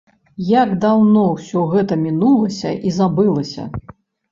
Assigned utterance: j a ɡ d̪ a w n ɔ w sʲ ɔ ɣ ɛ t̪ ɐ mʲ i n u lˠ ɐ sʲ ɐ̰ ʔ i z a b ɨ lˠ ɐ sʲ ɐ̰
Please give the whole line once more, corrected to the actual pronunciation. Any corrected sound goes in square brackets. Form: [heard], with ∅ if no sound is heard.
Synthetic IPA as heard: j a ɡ d̪ a w n ɔ w sʲ ɔ ɣ ɛ t̪ ɐ mʲ i n u lˠ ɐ sʲ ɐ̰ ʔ i z a b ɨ lˠ ɐ sʲ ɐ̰